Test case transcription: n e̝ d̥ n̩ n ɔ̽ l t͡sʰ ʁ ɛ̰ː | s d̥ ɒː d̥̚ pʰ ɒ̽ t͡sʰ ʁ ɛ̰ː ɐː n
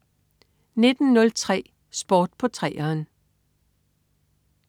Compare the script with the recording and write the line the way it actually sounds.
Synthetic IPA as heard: n e̝ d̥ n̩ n ɔ̽ l t͡sʰ ʁ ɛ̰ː | s b̥ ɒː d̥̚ pʰ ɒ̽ t͡sʰ ʁ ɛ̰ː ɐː n